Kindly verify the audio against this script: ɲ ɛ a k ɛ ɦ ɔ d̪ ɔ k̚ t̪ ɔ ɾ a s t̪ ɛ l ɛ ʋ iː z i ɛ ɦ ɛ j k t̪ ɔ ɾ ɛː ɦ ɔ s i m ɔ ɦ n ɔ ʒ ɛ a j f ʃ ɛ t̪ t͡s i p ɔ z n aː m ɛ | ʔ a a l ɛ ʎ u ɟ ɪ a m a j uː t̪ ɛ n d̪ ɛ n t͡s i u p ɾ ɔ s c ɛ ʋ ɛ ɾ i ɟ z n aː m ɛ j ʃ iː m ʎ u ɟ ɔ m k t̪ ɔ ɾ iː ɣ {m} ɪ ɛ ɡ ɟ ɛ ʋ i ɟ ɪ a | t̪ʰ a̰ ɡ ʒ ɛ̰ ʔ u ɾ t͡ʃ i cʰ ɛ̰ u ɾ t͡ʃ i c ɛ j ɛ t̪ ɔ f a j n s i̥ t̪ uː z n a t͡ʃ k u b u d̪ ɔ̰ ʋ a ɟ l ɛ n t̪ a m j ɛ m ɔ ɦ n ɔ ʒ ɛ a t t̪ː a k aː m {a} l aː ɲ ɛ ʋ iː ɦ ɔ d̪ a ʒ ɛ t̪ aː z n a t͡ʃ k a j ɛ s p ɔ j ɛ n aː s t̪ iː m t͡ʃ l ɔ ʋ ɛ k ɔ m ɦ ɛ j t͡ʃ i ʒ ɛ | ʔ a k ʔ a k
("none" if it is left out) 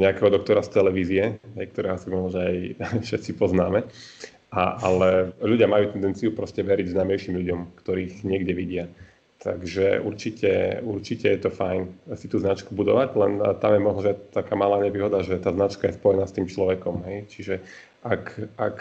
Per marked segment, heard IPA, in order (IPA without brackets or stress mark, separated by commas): ɲ, a